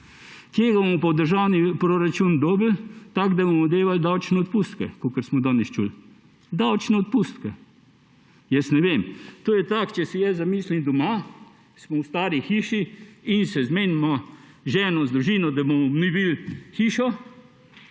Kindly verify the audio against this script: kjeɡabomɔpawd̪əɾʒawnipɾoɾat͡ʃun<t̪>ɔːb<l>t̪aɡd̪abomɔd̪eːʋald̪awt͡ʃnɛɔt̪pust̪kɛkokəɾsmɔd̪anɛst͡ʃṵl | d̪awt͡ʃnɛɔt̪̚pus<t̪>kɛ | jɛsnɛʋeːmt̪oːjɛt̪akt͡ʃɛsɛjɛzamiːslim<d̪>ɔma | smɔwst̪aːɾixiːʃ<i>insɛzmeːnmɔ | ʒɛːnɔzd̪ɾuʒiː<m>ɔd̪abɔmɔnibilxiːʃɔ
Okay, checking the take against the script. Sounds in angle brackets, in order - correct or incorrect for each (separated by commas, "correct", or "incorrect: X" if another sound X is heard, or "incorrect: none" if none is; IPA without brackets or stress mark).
incorrect: d̪, correct, correct, correct, correct, incorrect: n